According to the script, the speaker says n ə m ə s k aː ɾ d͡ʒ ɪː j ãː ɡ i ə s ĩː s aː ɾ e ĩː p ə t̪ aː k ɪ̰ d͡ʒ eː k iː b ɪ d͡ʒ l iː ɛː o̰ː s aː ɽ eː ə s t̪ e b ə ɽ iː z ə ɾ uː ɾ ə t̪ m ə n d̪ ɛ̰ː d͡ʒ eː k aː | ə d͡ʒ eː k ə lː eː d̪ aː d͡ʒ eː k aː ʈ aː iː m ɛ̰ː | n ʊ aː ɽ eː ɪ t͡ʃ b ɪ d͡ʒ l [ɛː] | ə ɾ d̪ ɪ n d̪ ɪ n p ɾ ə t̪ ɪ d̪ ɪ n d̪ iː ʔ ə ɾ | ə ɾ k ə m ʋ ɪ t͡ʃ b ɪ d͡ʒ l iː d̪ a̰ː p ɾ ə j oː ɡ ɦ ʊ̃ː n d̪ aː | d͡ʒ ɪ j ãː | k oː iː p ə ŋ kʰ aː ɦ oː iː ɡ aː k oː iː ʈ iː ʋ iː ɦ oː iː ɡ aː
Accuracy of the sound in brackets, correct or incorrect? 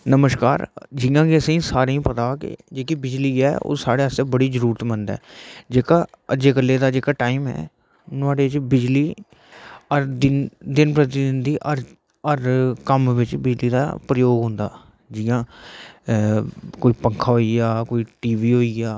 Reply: incorrect